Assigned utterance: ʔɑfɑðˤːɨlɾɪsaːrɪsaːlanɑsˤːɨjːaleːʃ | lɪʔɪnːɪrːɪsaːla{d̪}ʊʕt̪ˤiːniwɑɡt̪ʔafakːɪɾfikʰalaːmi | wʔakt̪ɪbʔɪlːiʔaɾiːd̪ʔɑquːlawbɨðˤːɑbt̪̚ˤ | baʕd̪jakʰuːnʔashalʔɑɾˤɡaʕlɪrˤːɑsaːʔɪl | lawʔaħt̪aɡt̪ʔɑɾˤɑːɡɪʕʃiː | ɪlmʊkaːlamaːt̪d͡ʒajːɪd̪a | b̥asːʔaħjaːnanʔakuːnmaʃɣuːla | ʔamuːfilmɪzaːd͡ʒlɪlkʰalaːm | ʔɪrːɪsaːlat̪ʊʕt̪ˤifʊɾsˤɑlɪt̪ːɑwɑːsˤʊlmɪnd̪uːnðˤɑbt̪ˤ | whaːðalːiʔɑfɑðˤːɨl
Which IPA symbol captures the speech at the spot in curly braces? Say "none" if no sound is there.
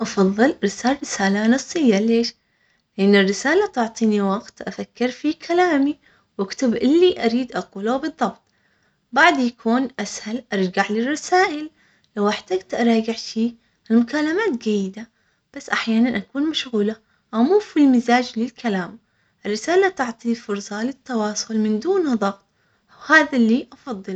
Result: t̪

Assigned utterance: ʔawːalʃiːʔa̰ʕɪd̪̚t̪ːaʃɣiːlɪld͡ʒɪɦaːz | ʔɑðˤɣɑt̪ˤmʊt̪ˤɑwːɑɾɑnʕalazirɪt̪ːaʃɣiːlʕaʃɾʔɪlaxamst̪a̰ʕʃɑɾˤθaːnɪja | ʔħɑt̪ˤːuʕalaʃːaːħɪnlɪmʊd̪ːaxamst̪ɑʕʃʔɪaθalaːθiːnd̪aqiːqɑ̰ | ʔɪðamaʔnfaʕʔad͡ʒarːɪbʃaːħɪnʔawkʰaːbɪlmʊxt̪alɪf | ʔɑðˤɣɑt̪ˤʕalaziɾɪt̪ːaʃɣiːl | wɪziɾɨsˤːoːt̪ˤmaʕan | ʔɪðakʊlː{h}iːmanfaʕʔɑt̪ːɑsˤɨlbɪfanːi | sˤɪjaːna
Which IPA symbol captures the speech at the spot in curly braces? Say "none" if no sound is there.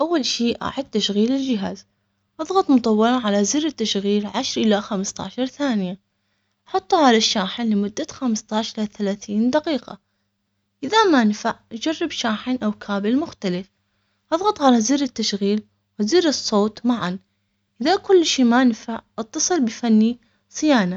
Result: ʃ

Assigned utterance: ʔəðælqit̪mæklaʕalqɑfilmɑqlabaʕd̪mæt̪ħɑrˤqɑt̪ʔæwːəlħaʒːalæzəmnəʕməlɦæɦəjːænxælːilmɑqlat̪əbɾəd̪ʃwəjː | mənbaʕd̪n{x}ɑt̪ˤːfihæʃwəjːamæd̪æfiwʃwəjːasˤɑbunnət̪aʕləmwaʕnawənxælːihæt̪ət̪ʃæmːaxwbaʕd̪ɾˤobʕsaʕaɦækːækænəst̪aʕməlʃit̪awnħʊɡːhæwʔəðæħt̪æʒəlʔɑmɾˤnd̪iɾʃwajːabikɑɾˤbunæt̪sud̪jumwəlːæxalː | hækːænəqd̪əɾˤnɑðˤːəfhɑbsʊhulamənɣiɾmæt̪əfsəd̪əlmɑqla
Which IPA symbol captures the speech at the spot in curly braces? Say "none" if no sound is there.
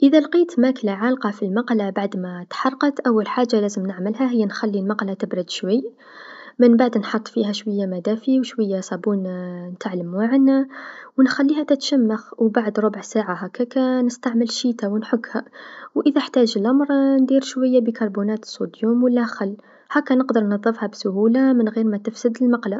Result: ħ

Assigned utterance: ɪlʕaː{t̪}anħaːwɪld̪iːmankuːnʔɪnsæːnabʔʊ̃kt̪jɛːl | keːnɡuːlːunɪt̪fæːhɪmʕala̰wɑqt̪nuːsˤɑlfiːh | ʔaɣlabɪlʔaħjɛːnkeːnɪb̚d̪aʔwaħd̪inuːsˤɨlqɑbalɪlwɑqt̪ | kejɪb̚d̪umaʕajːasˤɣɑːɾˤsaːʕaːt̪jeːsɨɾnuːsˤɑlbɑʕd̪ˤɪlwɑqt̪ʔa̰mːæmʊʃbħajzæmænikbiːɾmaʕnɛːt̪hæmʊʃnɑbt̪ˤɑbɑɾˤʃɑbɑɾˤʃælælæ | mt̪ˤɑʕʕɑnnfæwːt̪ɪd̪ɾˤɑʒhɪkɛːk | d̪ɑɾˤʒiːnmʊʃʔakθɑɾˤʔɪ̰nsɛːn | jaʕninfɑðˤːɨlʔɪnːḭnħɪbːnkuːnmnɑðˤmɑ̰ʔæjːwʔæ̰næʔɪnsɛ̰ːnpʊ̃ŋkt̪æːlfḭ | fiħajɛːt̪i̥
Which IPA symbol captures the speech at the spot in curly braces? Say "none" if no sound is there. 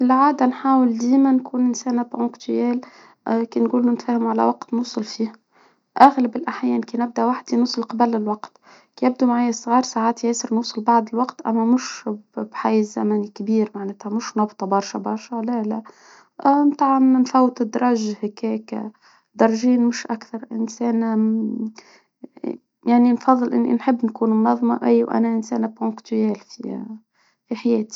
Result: d̪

